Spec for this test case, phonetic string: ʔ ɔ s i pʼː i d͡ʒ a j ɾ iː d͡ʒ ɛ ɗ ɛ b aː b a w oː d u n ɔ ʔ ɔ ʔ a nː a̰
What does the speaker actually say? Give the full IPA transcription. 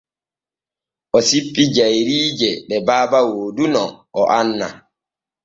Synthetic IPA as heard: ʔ ɔ s i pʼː i d͡ʒ a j ɾ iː d͡ʒ ɛ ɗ ɛ b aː b a w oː d u n ɔ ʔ ɔ ʔ a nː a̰